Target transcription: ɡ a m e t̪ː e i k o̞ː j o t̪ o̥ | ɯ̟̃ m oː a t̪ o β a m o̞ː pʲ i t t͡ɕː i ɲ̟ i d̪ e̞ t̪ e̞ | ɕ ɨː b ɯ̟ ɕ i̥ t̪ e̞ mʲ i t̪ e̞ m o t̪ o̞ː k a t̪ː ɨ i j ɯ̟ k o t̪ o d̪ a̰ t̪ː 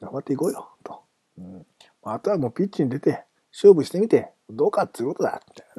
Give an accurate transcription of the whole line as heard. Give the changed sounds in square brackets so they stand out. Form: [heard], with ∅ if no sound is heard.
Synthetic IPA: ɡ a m [a] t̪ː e i k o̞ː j o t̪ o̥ | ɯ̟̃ m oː a t̪ o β a m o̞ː pʲ i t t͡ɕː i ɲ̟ i d̪ e̞ t̪ e̞ | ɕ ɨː b ɯ̟ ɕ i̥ t̪ e̞ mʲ i t̪ e̞ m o [d̪] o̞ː k a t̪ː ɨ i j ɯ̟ k o t̪ o d̪ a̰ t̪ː